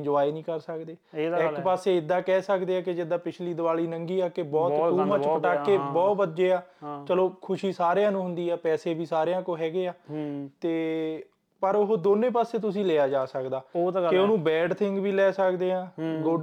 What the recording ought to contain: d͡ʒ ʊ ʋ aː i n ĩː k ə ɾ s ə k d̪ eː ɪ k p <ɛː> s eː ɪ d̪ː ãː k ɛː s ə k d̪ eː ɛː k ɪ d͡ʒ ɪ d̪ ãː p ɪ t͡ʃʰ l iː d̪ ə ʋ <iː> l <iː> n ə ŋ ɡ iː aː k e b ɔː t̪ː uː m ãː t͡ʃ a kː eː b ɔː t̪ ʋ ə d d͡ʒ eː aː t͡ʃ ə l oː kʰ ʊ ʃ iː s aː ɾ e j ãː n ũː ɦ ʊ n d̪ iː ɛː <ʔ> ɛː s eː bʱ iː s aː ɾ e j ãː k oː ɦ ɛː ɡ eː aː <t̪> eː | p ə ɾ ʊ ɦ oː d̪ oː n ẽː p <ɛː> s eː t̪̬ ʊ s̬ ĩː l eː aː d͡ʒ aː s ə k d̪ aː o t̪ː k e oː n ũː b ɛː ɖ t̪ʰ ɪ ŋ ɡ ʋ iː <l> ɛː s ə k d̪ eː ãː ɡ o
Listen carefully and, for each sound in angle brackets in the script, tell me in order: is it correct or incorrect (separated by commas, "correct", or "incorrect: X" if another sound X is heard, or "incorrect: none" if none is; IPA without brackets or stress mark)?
incorrect: aː, incorrect: aː, correct, incorrect: p, correct, incorrect: aː, correct